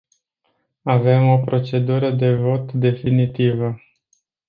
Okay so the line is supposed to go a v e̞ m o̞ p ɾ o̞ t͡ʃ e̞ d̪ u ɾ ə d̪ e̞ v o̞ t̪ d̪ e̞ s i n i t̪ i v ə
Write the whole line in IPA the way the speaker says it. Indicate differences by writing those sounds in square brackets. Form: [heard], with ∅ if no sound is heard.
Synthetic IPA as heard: a v e̞ m o̞ p ɾ o̞ t͡ʃ e̞ d̪ u ɾ ə d̪ e̞ v o̞ t̪ d̪ e̞ [f] i n i t̪ i v ə